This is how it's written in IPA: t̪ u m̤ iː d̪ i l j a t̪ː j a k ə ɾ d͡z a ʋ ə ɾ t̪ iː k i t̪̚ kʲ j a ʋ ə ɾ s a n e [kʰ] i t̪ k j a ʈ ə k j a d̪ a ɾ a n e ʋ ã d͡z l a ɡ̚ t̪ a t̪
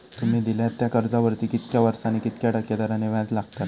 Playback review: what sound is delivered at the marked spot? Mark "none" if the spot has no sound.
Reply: k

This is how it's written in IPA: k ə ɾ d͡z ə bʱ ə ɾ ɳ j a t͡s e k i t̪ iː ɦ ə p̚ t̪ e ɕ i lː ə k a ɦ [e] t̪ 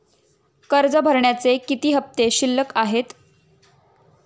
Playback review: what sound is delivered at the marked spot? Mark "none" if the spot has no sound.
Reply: e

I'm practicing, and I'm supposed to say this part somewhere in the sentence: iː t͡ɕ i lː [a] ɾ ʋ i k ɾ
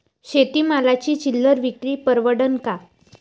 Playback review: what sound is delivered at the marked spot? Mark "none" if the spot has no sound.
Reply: ə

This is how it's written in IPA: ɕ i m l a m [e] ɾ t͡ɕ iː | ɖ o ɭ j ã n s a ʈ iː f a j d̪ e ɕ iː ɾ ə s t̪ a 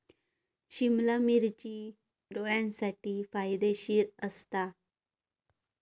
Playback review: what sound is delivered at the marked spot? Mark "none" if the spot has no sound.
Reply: i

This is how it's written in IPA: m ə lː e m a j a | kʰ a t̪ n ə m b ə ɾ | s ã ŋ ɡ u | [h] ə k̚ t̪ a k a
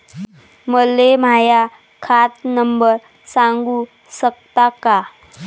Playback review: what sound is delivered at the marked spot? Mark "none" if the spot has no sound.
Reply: s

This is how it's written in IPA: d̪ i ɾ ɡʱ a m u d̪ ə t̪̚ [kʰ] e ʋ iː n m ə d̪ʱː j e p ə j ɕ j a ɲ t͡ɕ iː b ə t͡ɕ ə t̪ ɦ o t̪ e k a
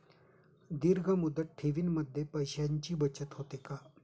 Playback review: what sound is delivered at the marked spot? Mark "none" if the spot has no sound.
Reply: ʈʰ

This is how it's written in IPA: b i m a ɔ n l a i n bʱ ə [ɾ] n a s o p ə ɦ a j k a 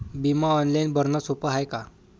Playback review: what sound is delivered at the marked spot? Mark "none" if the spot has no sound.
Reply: ɾ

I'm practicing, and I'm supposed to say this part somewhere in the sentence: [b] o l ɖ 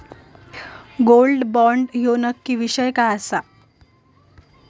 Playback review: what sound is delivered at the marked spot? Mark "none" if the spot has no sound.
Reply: ɡ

